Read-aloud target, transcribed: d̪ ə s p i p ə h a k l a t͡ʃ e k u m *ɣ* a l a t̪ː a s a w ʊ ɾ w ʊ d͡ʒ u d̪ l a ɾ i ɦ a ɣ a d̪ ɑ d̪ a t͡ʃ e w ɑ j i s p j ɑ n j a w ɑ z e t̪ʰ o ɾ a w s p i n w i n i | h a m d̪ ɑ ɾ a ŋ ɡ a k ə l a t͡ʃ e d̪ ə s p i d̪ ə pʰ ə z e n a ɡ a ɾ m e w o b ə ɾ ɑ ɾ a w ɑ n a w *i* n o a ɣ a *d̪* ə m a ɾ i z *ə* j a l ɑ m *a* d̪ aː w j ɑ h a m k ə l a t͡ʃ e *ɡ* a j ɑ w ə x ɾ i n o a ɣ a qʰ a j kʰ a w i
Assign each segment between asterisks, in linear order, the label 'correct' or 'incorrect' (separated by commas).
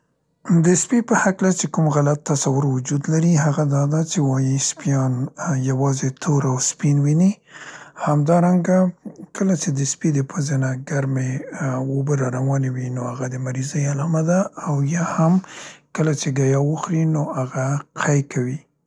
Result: correct, correct, correct, correct, correct, correct